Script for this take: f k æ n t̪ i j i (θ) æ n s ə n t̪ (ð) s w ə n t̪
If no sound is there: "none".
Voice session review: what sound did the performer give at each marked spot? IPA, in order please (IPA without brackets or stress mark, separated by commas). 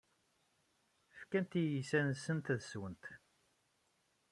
s, ð